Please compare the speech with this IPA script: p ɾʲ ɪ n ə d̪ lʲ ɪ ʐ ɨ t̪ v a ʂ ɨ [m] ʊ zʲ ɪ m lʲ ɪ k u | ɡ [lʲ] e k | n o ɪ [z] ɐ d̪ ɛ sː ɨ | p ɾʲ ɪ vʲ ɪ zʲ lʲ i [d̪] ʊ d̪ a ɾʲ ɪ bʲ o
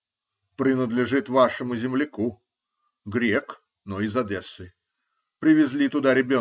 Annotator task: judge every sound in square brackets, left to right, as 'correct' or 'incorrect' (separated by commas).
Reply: correct, incorrect, correct, incorrect